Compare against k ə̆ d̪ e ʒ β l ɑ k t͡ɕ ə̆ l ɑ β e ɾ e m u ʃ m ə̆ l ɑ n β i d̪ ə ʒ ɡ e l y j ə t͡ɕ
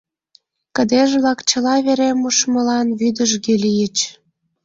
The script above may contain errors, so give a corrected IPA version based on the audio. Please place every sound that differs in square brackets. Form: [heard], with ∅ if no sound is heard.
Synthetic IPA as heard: k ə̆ d̪ e ʒ β l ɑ k t͡ɕ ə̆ l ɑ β e ɾ e m u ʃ m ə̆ l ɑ n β [y] d̪ ə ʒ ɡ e l [i] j ə t͡ɕ